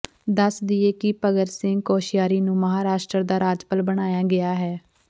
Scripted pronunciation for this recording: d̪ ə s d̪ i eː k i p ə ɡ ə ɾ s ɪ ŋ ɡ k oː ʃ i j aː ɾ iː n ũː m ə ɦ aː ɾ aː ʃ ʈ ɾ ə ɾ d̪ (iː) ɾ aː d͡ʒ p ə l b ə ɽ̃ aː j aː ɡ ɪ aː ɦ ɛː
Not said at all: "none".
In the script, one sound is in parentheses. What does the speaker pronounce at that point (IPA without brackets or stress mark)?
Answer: aː